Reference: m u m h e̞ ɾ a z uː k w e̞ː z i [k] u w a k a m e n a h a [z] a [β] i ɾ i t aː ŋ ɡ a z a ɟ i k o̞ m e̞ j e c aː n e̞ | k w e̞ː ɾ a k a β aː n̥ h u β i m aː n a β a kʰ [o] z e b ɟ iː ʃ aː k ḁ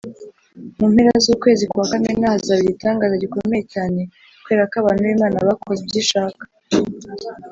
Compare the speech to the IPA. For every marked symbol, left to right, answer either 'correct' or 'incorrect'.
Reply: correct, correct, correct, correct

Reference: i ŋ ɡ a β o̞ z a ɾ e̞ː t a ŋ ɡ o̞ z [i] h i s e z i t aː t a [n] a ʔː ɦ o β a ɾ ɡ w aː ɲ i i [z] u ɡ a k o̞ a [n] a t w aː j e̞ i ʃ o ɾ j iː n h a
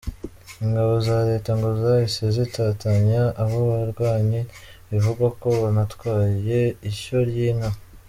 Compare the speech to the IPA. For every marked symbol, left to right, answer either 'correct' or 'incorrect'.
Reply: incorrect, incorrect, incorrect, correct

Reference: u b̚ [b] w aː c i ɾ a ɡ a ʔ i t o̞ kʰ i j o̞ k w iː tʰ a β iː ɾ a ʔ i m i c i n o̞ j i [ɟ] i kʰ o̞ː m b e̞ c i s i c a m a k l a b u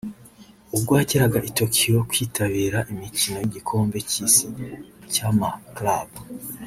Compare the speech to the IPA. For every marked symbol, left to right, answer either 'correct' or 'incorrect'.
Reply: incorrect, correct

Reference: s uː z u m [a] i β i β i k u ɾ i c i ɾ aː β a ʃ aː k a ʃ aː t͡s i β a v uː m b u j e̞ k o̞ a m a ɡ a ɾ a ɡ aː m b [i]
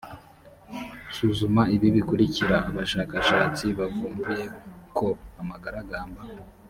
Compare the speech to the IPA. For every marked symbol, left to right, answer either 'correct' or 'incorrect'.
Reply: correct, incorrect

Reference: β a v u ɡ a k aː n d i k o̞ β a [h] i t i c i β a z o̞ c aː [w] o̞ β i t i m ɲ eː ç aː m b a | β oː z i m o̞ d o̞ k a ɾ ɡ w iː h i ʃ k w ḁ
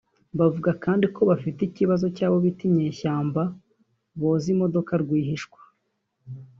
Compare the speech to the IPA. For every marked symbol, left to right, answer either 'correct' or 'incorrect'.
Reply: incorrect, incorrect

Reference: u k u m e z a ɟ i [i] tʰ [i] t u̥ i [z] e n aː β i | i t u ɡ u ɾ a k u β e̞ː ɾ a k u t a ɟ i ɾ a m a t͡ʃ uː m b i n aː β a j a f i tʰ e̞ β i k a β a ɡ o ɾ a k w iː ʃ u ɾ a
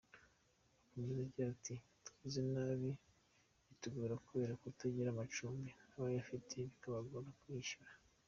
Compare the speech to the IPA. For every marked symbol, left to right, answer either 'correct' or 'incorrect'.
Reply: incorrect, correct, correct

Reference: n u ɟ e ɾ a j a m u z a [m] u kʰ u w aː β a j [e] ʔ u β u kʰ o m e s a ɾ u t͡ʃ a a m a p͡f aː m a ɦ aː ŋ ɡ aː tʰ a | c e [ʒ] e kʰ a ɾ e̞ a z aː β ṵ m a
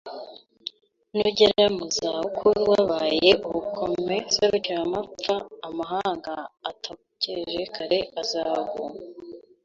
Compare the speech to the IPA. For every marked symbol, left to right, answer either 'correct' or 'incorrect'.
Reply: incorrect, correct, correct

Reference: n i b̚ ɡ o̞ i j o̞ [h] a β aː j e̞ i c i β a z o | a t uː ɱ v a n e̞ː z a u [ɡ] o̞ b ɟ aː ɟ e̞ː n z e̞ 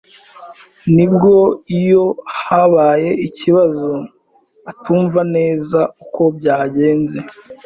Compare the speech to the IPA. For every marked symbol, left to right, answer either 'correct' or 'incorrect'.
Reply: correct, incorrect

